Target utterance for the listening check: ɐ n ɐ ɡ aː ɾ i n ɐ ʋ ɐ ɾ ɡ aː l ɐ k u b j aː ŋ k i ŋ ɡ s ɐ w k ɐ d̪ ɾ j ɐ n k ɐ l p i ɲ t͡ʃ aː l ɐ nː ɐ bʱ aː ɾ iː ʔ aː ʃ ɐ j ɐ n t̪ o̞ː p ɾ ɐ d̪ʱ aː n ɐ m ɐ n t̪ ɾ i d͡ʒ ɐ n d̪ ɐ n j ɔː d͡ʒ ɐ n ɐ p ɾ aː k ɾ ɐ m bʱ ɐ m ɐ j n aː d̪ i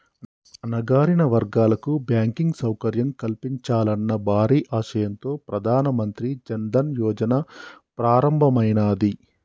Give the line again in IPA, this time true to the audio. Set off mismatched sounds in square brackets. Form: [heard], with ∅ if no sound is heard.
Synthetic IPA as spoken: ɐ n ɐ ɡ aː ɾ i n ɐ ʋ ɐ ɾ ɡ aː l ɐ k u b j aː ŋ k i ŋ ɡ s ɐ w k ɐ [∅] ɾ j ɐ [m] k ɐ l p i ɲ t͡ʃ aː l ɐ nː ɐ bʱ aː ɾ iː ʔ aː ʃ ɐ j ɐ n t̪ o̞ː p ɾ ɐ d̪ʱ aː n ɐ m ɐ n t̪ ɾ i d͡ʒ ɐ n d̪ ɐ n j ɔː d͡ʒ ɐ n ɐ p ɾ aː [∅] ɾ ɐ m bʱ ɐ m ɐ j n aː d̪ i